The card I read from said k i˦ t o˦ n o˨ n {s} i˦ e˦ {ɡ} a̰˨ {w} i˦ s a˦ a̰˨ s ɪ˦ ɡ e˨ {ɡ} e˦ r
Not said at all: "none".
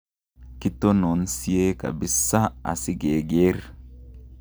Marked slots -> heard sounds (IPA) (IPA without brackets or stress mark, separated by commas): s, k, b, ɡ